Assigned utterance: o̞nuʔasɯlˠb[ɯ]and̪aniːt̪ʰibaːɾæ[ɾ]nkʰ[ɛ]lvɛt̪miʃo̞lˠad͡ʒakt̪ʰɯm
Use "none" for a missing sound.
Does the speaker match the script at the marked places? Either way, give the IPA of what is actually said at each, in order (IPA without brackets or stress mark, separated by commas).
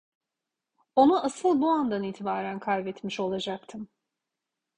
u, none, a